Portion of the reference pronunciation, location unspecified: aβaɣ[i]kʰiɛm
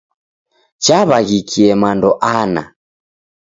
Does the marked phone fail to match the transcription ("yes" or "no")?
no